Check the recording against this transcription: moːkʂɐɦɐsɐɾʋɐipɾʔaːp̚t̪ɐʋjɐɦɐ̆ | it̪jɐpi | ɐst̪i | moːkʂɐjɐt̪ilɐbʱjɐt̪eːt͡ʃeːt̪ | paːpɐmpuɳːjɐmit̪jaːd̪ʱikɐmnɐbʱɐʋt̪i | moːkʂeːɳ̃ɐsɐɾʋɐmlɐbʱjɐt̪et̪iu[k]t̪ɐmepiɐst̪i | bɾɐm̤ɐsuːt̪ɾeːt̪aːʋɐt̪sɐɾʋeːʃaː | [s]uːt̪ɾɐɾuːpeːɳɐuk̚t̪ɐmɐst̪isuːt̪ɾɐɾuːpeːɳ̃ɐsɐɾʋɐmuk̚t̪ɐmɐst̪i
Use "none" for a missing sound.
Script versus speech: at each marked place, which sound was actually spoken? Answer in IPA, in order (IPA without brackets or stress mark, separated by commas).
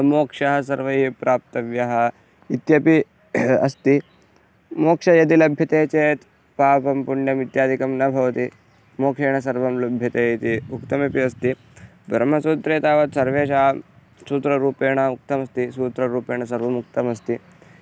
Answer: k, s